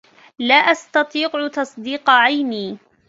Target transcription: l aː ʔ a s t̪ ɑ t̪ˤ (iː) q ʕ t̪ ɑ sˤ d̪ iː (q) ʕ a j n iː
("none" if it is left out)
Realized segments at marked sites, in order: iː, q

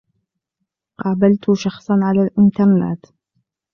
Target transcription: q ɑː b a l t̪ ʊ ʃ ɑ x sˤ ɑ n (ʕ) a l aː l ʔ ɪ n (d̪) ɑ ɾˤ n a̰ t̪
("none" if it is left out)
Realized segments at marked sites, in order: ʕ, t̪

